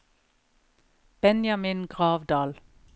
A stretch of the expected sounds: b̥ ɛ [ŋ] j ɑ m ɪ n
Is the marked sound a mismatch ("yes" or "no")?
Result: yes